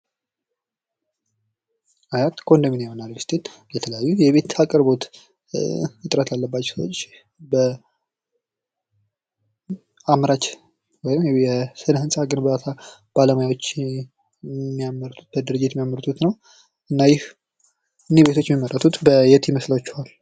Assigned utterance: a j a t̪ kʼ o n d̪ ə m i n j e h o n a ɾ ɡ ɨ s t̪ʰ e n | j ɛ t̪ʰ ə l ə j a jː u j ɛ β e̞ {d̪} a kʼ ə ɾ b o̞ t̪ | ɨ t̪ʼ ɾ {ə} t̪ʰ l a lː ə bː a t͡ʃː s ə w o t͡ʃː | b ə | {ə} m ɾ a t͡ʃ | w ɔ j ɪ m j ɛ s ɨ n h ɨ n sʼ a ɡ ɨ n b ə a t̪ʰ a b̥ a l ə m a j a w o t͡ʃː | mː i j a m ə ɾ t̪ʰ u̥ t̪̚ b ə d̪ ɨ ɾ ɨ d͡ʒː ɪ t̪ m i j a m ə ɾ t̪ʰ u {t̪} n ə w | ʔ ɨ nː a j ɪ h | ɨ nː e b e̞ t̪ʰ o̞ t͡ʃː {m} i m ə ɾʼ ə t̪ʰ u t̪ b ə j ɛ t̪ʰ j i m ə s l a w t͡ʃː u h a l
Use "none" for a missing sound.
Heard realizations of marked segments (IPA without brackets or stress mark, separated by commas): t̪, ə, a, t̪, m